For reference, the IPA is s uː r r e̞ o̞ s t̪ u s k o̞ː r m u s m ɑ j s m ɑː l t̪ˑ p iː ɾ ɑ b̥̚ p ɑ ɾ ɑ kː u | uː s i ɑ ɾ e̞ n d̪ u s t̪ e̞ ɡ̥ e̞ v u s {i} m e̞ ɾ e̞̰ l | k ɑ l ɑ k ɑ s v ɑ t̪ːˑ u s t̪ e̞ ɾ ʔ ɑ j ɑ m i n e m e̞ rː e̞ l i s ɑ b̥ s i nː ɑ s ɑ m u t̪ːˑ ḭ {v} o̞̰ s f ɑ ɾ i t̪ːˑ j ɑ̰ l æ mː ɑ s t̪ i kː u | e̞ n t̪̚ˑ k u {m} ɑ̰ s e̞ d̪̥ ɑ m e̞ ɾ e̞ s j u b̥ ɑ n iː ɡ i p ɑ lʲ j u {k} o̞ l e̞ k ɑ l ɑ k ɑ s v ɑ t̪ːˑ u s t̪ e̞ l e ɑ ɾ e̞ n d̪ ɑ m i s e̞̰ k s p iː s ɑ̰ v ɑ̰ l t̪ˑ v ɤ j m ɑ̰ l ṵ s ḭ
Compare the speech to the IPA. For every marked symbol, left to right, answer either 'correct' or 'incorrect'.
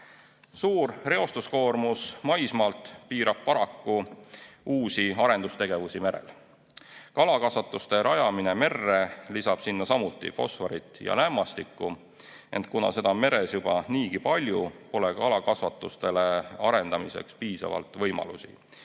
correct, incorrect: f, incorrect: n, incorrect: p

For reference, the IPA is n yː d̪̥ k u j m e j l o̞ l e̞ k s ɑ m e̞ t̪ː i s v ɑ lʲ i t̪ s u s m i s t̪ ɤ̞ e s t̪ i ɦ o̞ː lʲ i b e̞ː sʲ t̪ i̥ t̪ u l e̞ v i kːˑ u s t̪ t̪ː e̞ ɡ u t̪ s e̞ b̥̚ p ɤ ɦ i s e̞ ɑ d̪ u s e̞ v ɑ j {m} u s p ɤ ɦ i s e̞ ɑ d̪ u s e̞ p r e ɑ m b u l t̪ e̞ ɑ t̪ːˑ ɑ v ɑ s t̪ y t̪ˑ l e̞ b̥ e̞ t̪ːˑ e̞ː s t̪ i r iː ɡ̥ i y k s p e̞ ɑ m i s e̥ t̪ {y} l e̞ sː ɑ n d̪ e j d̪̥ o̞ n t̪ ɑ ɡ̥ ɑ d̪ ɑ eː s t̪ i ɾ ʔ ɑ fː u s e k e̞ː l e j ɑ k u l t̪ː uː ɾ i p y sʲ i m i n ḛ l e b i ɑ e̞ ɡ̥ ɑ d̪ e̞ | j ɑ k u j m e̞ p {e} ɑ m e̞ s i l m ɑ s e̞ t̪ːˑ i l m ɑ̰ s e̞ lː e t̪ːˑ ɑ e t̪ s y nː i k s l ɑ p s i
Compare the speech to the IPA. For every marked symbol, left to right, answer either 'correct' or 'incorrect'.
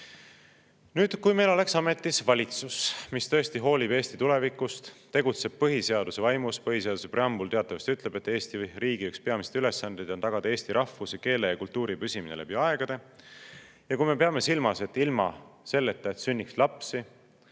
correct, correct, correct

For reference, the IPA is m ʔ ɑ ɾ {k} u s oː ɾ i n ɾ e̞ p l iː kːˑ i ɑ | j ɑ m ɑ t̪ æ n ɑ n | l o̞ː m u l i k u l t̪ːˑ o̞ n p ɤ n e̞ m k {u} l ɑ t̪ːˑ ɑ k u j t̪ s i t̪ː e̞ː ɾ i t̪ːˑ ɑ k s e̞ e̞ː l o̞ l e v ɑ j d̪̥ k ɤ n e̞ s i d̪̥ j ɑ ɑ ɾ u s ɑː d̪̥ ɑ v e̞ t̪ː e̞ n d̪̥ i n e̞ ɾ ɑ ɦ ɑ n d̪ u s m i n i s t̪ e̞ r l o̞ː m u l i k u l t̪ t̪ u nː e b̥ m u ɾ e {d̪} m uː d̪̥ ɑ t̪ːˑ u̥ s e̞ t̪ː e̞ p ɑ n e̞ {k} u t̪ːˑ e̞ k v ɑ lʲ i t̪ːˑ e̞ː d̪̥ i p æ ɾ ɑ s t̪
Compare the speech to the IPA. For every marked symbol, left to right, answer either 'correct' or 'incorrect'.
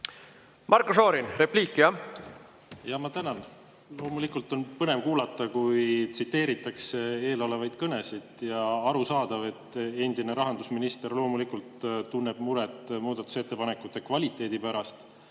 correct, incorrect: uː, incorrect: t̪, correct

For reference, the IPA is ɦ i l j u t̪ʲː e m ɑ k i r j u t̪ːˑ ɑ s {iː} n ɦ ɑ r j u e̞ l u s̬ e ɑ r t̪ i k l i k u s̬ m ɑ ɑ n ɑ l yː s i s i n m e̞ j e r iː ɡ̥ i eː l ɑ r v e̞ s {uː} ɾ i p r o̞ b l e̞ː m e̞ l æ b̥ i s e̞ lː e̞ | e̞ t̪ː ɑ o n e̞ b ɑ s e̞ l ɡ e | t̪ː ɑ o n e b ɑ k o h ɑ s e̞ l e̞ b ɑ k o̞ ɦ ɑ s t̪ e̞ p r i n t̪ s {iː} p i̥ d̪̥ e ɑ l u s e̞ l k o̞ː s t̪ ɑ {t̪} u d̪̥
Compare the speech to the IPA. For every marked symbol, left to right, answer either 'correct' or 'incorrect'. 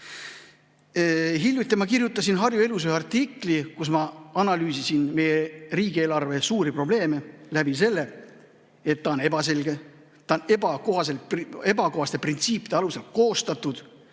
incorrect: i, correct, correct, correct

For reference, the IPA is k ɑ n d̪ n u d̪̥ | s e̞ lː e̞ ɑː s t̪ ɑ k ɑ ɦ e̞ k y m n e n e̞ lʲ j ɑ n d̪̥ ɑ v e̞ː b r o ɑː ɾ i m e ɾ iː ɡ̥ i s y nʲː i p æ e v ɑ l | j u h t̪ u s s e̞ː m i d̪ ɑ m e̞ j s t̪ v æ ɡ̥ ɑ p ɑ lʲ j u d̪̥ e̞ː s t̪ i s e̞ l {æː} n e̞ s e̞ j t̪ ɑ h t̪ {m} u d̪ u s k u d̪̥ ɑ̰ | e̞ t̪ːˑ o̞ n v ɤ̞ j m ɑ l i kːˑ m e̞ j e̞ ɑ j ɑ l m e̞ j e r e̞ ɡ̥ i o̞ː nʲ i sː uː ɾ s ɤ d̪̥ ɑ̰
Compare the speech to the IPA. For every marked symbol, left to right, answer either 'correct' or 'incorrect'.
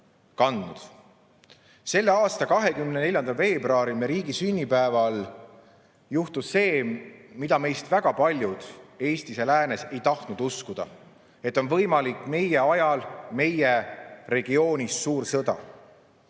correct, incorrect: n

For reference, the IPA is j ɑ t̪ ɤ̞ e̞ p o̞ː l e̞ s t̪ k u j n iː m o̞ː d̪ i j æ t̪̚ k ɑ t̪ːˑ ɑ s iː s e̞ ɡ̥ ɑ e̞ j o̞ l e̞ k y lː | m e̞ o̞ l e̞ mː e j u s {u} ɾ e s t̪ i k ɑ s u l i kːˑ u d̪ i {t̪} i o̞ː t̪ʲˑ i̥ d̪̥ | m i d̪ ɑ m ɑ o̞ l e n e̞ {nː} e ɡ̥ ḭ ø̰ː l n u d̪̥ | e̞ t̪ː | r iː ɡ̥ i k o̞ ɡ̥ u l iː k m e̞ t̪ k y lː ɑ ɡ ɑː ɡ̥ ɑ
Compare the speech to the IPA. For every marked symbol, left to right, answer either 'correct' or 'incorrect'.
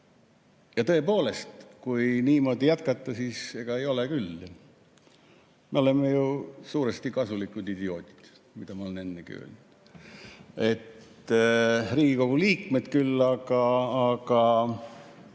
incorrect: uː, incorrect: d̪, correct

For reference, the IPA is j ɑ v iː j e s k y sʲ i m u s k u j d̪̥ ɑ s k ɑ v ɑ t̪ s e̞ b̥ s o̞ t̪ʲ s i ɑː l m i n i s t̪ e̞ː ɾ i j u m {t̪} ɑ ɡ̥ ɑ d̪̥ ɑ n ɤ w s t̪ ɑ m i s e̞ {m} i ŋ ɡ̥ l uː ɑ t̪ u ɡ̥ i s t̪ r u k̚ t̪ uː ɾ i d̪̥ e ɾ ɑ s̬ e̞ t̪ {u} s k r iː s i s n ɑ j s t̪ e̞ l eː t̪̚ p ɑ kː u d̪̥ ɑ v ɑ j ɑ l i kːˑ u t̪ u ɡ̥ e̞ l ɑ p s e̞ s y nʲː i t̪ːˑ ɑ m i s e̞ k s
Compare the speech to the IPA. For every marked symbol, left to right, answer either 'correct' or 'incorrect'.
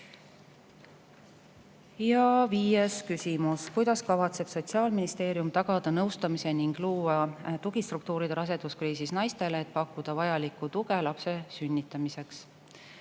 correct, incorrect: n, correct

